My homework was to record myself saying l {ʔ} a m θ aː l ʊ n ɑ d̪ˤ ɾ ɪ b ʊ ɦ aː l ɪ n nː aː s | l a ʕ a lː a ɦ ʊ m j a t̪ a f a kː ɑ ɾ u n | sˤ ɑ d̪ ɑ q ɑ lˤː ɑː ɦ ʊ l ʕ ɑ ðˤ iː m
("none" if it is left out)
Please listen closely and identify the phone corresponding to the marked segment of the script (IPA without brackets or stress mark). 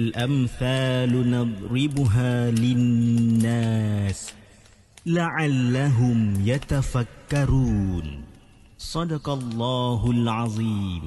ʔ